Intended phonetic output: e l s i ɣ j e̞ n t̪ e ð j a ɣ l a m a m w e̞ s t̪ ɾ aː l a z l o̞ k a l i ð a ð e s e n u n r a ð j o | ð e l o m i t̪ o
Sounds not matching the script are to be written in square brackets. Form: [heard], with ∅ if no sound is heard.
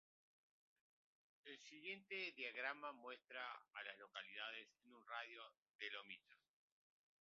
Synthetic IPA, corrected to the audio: e l s i ɣ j e̞ n t̪ e ð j a ɣ [ɾ] a m a m w e̞ s t̪ ɾ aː l a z l o̞ k a l i ð a ð e s e n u n r a ð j o | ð e l o m i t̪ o